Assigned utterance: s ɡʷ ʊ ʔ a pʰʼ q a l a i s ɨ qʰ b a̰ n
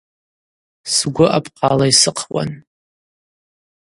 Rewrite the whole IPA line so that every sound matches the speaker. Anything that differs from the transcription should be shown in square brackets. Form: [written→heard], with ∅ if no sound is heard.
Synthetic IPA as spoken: s ɡʷ ʊ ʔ a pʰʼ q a l a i s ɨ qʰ [b→w] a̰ n